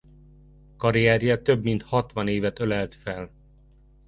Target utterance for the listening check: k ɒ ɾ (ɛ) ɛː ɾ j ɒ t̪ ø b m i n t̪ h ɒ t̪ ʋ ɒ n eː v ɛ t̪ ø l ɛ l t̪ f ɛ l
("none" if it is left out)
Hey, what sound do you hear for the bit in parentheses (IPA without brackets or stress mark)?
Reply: i